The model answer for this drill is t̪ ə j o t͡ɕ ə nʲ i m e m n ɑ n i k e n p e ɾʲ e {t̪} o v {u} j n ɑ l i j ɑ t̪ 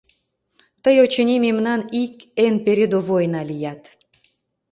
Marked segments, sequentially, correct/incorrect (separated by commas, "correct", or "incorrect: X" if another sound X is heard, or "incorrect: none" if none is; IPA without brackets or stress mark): incorrect: d̪, incorrect: o